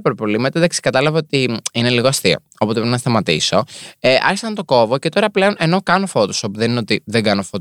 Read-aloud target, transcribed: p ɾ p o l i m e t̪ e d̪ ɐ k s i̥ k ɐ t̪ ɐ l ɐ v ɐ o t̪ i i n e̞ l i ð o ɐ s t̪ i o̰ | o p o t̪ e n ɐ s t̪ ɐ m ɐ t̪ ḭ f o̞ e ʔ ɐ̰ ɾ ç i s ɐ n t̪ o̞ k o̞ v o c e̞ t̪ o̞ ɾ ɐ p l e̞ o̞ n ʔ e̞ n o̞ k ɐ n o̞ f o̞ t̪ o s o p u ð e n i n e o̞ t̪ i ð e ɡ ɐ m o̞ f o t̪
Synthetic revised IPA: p ɾ p o l i m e t̪ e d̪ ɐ k s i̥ k ɐ t̪ ɐ l ɐ v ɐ o t̪ i i n e̞ l i ɣ o ɐ s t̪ i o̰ | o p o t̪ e n ɐ s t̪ ɐ m ɐ t̪ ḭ s o̞ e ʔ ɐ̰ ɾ ç i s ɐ n t̪ o̞ k o̞ v o c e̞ t̪ o̞ ɾ ɐ p l e̞ o̞ n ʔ e̞ n o̞ k ɐ n o̞ f o̞ t̪ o s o p u ð e n i n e o̞ t̪ i ð e ɡ ɐ n o̞ f o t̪